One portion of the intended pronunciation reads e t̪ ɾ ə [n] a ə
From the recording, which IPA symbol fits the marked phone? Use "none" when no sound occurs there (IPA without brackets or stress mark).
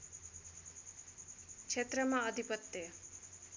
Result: m